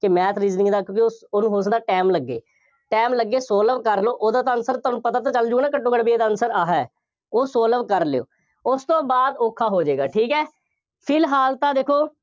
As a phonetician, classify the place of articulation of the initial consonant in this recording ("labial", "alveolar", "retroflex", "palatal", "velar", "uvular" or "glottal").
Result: velar